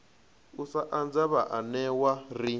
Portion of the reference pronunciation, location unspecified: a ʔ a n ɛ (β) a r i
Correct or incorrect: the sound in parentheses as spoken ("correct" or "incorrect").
incorrect